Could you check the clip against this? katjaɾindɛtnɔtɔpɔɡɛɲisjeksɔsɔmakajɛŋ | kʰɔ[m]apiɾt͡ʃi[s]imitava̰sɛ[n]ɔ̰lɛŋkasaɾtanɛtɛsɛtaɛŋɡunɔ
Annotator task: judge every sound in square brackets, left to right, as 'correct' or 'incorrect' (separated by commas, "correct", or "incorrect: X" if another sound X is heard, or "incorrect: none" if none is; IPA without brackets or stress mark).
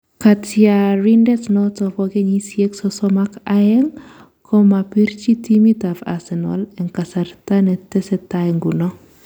correct, incorrect: t, correct